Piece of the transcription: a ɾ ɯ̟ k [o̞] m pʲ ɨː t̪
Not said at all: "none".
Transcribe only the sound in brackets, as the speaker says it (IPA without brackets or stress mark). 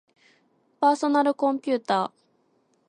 õ̞